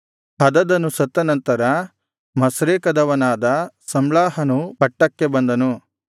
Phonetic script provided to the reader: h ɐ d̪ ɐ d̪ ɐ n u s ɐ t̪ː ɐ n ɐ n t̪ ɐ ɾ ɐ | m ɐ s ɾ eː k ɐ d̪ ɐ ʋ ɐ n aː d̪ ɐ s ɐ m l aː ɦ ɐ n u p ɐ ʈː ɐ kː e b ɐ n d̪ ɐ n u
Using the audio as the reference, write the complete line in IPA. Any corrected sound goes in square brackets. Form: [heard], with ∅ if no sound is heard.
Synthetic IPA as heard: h ɐ d̪ ɐ d̪ ɐ n u s ɐ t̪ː ɐ n ɐ n t̪ ɐ ɾ ɐ | m ɐ s ɾ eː k ɐ d̪ ɐ ʋ ɐ n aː d̪ ɐ s ɐ m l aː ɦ ɐ n u p ɐ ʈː ɐ kː e b ɐ n d̪ ɐ n u